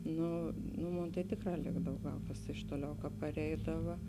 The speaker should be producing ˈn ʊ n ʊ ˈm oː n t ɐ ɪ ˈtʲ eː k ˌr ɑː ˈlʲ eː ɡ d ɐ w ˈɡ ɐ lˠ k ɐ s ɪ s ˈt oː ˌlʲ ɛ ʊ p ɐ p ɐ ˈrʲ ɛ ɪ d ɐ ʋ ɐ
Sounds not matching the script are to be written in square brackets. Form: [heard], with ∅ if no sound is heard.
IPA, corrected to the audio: ˈn ʊ n ʊ ˈm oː n t ɐ ɪ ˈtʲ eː k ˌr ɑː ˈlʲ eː ɡ d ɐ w ˈɡ ɐ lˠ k ɐ s ɪ [ʃ] ˈt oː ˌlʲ ɛ ʊ [k] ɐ p ɐ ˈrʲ ɛ ɪ d ɐ ʋ ɐ

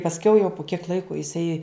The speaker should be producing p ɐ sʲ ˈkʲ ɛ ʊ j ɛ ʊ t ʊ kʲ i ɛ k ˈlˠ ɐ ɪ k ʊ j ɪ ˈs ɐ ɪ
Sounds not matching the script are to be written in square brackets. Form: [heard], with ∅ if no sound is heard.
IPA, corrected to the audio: p ɐ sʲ ˈkʲ ɛ ʊ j ɛ ʊ [p] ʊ kʲ i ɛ k ˈlˠ ɐ ɪ k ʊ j ɪ ˈs ɐ ɪ

